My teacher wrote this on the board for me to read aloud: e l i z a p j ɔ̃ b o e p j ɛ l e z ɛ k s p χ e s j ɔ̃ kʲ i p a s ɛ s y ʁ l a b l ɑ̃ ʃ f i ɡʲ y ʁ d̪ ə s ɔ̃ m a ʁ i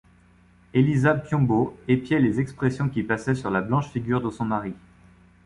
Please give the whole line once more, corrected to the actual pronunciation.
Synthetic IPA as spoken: e l i z a p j ɔ̃ b o e p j ɛ l e z ɛ k s p χ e s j ɔ̃ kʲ i p a s ɛ s y ʁ l a b l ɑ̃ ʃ f i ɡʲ y ʁ d̪ ə s ɔ̃ m a ʁ i